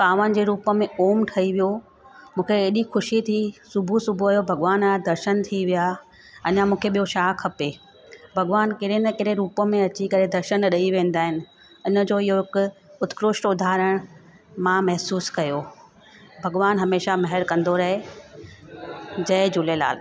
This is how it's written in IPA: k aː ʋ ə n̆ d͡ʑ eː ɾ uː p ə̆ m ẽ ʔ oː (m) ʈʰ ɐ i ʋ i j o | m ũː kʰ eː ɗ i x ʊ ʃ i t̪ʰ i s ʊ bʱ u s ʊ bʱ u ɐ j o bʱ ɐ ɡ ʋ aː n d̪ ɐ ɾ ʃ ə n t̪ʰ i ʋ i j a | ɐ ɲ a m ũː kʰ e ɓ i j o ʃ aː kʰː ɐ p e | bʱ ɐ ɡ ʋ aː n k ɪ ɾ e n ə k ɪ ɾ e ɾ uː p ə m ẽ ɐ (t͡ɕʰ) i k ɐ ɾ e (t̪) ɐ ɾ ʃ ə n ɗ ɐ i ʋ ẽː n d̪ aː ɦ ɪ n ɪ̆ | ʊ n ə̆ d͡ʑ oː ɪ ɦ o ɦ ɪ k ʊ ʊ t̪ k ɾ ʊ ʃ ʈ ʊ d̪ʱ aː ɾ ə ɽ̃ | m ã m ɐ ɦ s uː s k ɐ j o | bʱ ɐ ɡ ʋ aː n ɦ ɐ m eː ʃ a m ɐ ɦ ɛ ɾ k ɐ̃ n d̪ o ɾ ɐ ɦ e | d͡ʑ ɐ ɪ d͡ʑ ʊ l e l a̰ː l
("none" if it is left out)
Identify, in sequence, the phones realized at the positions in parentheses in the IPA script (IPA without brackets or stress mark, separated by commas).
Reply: m, t͡ɕ, d̪